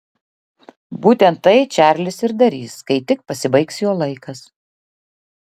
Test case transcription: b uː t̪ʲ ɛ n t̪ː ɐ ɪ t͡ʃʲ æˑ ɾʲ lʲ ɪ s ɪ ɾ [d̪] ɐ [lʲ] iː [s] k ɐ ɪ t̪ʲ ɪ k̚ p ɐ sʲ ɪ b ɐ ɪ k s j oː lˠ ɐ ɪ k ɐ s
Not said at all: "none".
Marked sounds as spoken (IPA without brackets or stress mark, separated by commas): d̪, ɾʲ, s